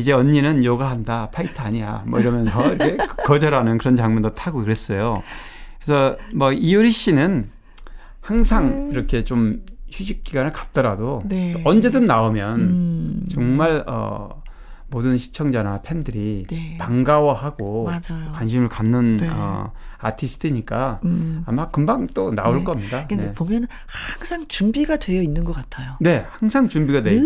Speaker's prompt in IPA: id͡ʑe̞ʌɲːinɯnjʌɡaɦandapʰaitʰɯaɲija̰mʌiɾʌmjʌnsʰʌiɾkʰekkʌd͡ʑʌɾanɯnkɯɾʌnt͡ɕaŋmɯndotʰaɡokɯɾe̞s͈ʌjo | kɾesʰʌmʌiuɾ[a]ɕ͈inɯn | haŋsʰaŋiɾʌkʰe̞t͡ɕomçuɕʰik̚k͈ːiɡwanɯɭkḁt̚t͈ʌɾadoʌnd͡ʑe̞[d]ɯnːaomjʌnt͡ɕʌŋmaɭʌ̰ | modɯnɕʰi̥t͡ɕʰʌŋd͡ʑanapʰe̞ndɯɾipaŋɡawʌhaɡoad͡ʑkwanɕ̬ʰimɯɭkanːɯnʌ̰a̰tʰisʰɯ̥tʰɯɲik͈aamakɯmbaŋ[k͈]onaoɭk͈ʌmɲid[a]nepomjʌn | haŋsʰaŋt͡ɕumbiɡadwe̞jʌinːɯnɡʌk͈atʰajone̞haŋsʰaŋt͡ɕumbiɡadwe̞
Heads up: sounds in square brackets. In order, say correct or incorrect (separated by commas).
incorrect, correct, incorrect, correct